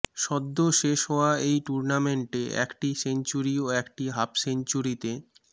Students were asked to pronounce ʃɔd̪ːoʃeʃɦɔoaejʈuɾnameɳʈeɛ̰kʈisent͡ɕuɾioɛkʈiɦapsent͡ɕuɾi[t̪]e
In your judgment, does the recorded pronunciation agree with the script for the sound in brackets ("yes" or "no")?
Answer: yes